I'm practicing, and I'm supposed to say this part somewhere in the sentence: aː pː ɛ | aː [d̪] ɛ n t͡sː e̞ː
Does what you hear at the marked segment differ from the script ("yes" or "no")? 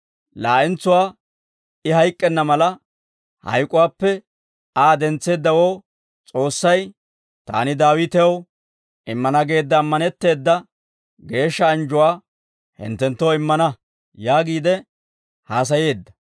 no